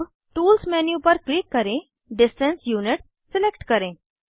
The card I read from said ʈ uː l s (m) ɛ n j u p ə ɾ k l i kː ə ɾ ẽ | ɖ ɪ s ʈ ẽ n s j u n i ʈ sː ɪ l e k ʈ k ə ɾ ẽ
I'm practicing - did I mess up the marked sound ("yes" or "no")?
no